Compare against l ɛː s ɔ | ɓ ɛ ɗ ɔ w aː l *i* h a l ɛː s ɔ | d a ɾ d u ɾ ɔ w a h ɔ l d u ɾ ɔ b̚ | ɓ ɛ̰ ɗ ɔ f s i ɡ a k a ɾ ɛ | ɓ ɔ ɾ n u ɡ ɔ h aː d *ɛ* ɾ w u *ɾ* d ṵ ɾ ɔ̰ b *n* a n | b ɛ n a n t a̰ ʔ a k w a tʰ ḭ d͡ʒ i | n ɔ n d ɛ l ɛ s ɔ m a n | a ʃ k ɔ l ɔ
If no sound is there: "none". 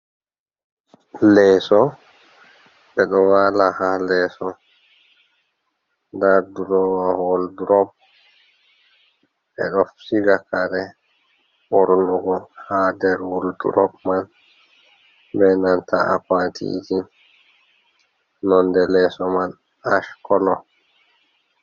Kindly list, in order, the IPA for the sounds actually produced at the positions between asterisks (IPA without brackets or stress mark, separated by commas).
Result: a, ɛ, l, m